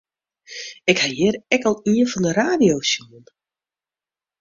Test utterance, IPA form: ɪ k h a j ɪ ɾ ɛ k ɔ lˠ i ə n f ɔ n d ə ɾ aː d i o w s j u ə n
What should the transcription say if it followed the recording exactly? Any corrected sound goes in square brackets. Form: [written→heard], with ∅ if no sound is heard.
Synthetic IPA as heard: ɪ k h a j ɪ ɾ ɛ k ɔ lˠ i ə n f ɔ n d ə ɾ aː d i o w s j u ə n